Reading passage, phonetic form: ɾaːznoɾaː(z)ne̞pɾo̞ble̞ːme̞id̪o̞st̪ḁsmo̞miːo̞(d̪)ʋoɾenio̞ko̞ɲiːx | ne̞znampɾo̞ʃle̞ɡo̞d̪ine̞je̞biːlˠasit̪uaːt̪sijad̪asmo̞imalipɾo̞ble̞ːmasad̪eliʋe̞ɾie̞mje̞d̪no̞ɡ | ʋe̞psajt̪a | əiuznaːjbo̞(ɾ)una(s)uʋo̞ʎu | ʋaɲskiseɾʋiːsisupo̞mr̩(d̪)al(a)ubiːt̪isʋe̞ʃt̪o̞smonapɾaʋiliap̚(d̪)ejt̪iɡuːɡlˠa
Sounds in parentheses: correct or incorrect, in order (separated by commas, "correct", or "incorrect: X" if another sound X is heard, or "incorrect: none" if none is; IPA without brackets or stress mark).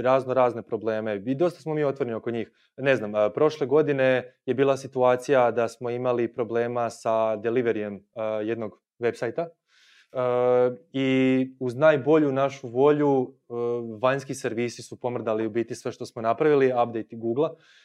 correct, incorrect: t̪, incorrect: ʎ, incorrect: ʃ, correct, incorrect: i, correct